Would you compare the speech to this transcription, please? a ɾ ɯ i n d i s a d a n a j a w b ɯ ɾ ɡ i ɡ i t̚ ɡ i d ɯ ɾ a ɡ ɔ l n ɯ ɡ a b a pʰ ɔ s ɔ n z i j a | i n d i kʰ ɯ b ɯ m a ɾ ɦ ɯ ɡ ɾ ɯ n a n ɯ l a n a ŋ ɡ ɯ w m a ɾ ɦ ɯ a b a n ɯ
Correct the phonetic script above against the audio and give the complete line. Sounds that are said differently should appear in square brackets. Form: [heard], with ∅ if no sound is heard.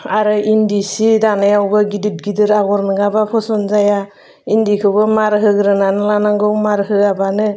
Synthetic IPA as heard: a ɾ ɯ i n d i s [i] d a n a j a w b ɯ [∅] ɡ i [d] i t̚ ɡ i d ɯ ɾ a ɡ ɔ [ɾ] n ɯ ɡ a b a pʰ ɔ s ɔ n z [a] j a | i n d i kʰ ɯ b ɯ m a ɾ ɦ ɯ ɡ ɾ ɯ n a n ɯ l a n a ŋ ɡ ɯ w m a ɾ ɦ ɯ a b a n ɯ